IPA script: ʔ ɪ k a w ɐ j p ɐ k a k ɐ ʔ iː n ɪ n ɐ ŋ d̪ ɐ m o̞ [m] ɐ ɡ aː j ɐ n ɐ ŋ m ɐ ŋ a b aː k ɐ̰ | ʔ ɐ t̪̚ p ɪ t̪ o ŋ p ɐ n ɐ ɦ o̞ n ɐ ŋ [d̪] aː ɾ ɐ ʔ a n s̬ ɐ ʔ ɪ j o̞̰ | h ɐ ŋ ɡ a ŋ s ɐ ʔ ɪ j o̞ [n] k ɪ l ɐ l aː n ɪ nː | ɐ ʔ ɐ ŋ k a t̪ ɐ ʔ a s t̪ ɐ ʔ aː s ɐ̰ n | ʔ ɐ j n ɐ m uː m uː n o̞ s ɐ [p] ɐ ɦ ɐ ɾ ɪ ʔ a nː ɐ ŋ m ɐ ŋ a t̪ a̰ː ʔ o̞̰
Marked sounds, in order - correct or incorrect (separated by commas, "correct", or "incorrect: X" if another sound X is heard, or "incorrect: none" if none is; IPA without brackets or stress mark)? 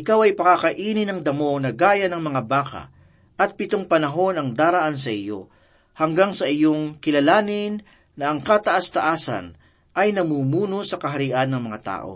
incorrect: n, correct, incorrect: ŋ, incorrect: k